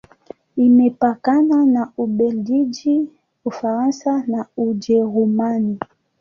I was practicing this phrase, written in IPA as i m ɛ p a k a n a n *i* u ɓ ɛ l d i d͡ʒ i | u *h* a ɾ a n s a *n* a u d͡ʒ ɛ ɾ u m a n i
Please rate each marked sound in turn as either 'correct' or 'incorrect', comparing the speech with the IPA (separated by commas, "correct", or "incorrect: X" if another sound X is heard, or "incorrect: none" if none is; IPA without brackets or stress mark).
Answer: incorrect: a, incorrect: f, correct